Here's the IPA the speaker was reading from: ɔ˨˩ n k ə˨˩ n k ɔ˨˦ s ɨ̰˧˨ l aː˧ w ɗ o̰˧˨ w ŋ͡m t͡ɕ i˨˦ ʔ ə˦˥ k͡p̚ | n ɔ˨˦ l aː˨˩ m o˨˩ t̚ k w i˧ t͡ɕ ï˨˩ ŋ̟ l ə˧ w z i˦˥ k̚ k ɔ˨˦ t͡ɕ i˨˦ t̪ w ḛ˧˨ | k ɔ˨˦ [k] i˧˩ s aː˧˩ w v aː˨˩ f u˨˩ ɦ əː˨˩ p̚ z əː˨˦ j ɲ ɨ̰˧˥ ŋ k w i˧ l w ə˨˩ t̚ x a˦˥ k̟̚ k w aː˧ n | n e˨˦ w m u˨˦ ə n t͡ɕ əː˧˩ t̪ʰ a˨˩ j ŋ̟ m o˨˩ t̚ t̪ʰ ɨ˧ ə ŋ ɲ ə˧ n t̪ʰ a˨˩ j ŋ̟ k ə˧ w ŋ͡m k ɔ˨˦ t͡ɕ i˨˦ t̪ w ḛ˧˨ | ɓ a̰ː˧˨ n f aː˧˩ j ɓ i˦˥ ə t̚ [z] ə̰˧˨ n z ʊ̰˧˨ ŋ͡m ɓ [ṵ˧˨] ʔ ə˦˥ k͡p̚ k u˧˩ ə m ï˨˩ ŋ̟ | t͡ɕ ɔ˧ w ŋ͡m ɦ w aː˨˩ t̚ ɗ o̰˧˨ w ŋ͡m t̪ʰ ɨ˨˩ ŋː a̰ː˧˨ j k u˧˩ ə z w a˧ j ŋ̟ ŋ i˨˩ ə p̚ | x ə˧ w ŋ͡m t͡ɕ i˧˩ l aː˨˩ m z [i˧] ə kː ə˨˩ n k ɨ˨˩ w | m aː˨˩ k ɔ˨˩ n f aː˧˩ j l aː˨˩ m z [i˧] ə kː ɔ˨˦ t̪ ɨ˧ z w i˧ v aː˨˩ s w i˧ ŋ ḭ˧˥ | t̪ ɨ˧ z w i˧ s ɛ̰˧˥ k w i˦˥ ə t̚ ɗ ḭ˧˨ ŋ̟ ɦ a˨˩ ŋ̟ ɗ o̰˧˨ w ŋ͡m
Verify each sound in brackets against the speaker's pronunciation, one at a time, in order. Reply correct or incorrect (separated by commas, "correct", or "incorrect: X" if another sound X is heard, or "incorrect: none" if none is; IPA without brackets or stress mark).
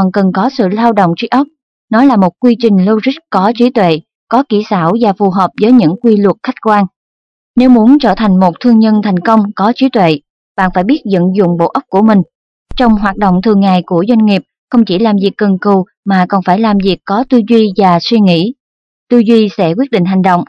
correct, correct, incorrect: o̰˧˨, incorrect: i˨˩, incorrect: i˨˩